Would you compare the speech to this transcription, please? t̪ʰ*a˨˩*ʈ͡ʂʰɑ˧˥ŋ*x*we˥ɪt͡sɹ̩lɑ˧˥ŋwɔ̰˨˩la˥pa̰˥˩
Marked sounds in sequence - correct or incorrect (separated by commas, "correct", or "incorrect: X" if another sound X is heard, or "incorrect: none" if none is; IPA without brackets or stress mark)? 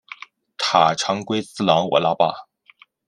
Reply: correct, incorrect: k